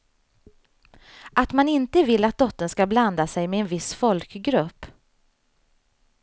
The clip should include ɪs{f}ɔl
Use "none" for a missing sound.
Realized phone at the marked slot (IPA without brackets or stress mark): f